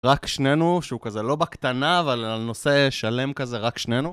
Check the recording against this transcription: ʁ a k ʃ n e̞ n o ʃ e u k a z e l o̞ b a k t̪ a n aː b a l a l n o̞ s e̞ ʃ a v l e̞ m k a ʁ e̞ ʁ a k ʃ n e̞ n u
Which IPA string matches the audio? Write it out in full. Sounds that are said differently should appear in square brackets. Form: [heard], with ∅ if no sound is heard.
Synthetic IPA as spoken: ʁ a k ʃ n e̞ n [u] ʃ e u k a z e l o̞ b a k t̪ a n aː [v] a l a l n o̞ s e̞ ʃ a [∅] l e̞ m k a [z] e̞ ʁ a k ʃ n e̞ n u